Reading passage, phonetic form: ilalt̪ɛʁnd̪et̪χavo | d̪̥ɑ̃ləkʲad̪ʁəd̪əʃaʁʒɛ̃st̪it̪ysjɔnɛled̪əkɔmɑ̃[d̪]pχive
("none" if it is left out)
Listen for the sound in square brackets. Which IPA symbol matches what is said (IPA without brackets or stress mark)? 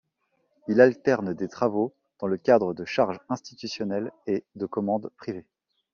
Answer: d̪